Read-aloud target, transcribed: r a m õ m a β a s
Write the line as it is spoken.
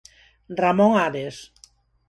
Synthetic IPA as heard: r a m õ ŋ a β e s